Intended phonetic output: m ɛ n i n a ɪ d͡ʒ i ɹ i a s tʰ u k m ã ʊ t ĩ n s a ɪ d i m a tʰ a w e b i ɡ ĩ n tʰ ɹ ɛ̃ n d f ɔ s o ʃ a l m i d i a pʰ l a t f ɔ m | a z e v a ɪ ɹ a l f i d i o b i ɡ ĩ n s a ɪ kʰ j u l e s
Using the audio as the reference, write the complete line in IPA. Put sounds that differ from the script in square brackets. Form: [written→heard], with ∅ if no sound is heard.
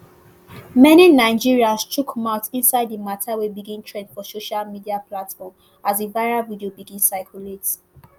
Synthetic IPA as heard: m ɛ n i n a ɪ d͡ʒ i ɹ i a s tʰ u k m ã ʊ t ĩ n s a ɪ d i m a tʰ a w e b i ɡ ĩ n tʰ ɹ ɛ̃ n d f ɔ s o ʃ a l m i d i a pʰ l a t f ɔ m | a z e v a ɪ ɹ a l [f→v] i d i o b i ɡ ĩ n s a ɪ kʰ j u l e [s→t]